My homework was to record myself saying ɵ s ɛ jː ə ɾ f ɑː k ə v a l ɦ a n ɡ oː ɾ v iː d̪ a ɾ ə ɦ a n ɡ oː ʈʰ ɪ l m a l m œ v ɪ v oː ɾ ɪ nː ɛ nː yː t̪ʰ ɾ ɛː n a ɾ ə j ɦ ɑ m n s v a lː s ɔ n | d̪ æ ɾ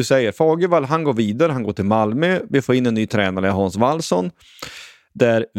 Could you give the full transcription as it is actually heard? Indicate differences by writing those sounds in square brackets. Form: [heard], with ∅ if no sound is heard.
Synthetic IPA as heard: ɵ s ɛ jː ə ɾ f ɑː [ɡ] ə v a l ɦ a n ɡ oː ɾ v iː d̪ a ɾ ə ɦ a n ɡ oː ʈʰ ɪ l m a l m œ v ɪ [f] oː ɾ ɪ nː ɛ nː yː t̪ʰ ɾ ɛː n a ɾ ə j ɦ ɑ [∅] n s v a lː s ɔ n | d̪ æ ɾ